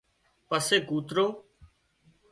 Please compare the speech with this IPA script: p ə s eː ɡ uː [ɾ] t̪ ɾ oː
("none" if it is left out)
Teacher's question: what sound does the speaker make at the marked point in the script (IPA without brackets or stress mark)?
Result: none